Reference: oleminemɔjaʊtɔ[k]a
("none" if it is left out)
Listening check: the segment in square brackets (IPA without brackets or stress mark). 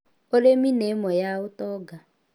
ɡ